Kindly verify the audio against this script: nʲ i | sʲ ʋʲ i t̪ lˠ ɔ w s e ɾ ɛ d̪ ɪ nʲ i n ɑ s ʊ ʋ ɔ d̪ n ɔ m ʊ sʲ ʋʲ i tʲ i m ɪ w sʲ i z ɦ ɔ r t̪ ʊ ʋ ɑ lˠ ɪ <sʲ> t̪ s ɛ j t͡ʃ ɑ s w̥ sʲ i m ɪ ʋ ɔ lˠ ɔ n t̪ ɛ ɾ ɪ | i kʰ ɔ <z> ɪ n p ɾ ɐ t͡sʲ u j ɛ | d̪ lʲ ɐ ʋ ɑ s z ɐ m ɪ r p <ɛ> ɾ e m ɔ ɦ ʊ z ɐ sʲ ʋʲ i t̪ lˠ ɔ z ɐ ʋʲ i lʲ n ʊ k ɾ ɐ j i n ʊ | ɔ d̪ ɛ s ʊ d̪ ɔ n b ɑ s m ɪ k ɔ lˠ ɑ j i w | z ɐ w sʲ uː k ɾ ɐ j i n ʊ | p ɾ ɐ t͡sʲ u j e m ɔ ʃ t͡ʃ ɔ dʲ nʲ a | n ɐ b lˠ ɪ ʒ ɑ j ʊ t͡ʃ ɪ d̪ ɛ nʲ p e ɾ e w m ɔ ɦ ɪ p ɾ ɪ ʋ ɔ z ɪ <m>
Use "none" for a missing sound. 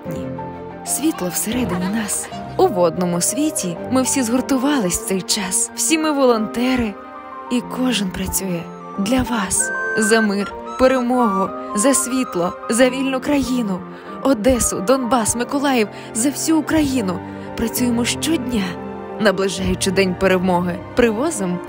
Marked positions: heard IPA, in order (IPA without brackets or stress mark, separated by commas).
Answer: sʲ, ʒ, e, m